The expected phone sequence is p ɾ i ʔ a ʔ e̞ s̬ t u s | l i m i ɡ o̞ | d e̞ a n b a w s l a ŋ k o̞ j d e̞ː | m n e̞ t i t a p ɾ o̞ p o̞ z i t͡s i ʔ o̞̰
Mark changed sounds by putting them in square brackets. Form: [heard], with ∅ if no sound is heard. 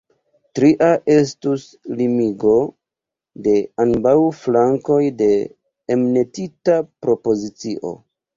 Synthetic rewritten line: [t] ɾ i ʔ a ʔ e̞ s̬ t u s | l i m i ɡ o̞ | d e̞ a n b a w [f] l a ŋ k o̞ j d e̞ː | m n e̞ t i t a p ɾ o̞ p o̞ z i t͡s i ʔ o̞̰